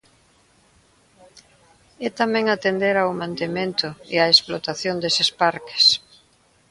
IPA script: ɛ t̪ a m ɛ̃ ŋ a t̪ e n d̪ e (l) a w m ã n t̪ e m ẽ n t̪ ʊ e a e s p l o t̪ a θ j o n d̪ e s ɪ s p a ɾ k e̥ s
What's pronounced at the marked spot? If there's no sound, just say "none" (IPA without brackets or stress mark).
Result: ɾ